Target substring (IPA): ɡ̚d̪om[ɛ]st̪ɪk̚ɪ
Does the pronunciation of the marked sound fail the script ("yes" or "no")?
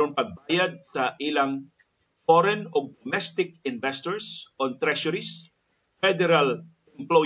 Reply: no